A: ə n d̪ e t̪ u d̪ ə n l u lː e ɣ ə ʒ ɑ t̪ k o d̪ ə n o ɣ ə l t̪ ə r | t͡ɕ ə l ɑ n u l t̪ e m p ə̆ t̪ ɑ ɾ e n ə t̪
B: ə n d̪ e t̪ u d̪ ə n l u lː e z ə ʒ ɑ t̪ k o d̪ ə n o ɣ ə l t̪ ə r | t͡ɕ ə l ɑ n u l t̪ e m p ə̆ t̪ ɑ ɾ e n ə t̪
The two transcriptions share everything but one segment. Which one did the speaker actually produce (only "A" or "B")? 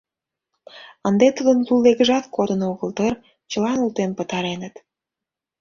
A